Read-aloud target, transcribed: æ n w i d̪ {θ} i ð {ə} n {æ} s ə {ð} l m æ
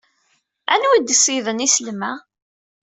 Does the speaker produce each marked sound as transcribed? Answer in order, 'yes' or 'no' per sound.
no, yes, no, no

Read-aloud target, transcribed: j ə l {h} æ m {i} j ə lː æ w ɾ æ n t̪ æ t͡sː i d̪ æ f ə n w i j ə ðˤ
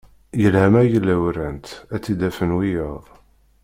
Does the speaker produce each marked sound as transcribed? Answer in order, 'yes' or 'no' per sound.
yes, no

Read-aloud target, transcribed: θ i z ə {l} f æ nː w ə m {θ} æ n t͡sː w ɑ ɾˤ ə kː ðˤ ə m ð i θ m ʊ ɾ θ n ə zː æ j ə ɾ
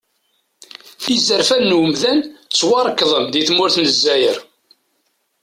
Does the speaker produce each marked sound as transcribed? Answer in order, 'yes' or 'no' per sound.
no, no

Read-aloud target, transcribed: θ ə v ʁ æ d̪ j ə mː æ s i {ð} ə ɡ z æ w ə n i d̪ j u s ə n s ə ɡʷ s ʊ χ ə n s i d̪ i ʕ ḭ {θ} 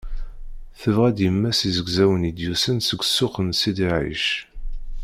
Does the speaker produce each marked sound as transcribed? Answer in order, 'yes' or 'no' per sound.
no, no

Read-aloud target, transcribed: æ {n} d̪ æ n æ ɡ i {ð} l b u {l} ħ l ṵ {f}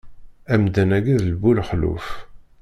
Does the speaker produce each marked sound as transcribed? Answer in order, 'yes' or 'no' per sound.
no, yes, yes, yes

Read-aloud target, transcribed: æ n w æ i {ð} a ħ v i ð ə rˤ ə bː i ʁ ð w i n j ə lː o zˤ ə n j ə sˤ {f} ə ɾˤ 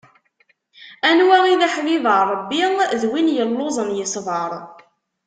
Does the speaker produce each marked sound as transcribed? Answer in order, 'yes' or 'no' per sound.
yes, no

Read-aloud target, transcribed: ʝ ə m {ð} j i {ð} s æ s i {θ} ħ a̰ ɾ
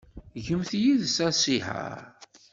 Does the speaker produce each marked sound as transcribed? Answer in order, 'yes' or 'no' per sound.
no, yes, no

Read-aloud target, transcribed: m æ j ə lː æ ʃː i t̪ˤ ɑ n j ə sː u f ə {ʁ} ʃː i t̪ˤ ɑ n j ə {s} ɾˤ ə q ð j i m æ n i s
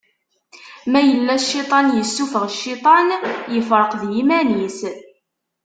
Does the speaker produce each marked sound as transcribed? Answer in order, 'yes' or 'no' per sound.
yes, no

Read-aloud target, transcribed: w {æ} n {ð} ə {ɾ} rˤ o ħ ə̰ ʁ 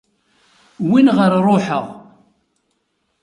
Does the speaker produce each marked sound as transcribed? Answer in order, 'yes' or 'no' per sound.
no, no, yes

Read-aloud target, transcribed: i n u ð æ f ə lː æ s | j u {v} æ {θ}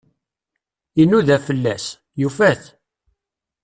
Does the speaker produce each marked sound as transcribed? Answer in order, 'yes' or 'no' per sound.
no, yes

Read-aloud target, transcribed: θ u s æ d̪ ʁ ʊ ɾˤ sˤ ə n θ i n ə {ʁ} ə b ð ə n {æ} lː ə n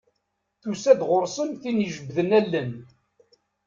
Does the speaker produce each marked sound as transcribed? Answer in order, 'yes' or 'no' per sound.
no, yes

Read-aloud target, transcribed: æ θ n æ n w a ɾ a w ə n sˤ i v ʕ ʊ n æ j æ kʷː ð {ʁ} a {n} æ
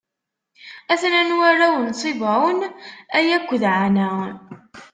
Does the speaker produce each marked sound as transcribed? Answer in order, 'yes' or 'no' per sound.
no, yes

